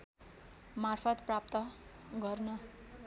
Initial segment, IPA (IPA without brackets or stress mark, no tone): m